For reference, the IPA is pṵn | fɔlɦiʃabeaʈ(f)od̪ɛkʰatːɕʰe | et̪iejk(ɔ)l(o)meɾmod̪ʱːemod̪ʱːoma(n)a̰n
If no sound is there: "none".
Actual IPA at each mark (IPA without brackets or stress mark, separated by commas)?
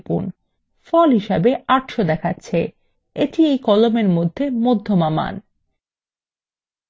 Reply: ʃ, ɔ, o, m